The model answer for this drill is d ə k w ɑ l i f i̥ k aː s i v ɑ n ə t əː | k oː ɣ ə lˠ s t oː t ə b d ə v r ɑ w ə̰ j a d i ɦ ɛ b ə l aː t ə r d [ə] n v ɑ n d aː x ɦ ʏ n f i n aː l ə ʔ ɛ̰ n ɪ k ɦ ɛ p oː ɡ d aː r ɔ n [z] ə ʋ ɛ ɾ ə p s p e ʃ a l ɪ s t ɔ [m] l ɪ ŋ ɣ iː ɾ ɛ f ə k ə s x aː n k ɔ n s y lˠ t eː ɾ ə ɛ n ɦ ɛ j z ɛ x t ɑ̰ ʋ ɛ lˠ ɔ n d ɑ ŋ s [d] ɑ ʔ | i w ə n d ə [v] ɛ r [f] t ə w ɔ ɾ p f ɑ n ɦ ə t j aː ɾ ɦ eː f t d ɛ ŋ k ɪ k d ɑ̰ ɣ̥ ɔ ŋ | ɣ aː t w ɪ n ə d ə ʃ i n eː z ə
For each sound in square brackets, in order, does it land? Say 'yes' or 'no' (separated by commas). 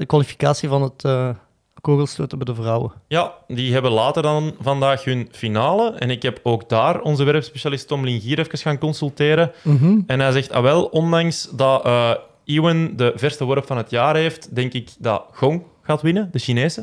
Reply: no, yes, yes, yes, yes, no